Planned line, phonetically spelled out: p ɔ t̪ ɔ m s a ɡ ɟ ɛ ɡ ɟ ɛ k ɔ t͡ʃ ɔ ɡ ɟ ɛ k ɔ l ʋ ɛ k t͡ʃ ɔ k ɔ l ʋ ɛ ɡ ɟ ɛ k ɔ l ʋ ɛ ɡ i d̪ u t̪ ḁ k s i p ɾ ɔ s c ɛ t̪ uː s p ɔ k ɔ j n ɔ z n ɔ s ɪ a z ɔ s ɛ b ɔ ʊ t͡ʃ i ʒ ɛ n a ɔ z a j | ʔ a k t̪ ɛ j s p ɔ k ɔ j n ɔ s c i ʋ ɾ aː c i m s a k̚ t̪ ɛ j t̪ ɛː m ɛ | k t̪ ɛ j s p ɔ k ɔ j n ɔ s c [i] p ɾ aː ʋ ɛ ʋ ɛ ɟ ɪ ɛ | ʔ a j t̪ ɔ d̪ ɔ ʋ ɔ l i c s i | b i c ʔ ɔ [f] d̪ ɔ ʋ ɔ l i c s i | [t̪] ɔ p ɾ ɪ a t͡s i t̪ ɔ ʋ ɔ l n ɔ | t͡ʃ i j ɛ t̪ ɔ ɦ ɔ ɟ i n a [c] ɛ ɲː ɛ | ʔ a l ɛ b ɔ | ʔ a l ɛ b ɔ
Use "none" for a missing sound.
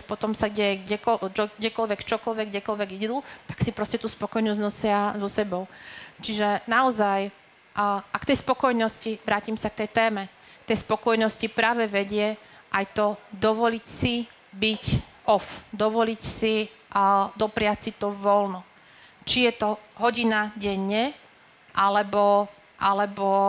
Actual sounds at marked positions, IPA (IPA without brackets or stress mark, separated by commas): i, f, d̪, ɟ